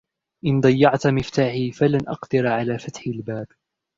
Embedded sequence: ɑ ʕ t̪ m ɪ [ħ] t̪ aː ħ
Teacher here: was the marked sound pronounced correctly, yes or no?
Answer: no